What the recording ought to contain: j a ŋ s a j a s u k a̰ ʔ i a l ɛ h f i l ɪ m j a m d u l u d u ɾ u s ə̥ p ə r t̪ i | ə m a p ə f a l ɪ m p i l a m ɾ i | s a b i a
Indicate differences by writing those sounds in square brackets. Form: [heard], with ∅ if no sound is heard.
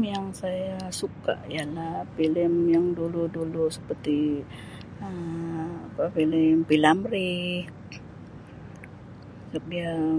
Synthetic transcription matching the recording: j a ŋ s a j a s u k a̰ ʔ i a l [a] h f i l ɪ m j a [ŋ] d u l u d u [l] u s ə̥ p ə r t̪ i | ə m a p [a] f [i] l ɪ m p i l a m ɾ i | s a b i a